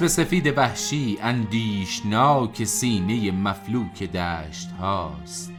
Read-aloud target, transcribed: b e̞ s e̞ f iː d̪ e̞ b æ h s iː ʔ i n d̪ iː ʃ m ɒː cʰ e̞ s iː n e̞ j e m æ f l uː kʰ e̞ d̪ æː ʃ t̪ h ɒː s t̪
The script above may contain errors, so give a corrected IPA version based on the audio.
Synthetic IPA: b e̞ s e̞ f iː d̪ e̞ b æ h ʃ iː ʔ æ n d̪ iː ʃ n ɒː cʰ e̞ s iː n e̞ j e m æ f l uː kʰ e̞ d̪ æː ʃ t̪ h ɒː s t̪